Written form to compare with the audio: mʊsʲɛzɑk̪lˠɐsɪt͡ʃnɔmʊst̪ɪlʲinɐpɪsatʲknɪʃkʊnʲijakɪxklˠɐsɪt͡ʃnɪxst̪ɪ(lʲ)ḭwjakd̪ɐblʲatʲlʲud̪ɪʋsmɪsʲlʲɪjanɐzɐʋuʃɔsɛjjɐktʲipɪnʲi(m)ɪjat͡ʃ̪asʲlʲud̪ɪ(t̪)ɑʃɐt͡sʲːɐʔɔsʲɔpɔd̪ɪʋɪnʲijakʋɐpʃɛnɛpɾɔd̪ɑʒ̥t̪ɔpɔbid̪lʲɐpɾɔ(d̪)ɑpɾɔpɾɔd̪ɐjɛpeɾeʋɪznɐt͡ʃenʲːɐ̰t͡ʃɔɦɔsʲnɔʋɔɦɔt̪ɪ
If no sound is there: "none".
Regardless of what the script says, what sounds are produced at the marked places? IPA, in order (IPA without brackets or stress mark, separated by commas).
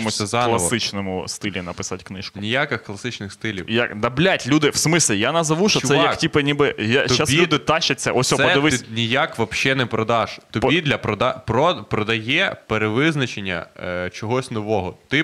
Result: lʲ, b, t̪, d̪